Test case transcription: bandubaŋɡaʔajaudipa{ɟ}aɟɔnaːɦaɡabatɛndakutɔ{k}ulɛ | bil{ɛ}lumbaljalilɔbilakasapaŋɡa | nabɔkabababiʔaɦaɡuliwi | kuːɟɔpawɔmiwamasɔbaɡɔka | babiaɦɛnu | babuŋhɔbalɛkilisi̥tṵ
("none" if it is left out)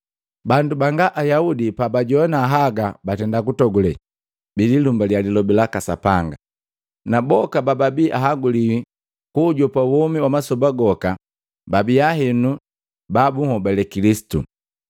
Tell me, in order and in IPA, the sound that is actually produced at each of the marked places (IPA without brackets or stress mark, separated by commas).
b, ɡ, i